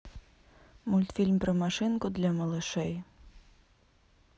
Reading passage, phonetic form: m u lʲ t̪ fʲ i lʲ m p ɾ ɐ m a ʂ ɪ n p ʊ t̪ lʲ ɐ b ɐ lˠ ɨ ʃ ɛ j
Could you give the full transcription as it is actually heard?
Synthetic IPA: m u lʲ t̪ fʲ i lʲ m p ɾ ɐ m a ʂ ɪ n k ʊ d̪ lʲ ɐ m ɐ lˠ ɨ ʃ ɛ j